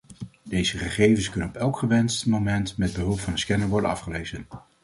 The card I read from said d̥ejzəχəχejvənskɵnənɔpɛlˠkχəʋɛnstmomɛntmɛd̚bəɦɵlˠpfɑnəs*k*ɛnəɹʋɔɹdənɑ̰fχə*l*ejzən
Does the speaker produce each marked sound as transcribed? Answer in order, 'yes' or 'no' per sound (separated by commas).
yes, yes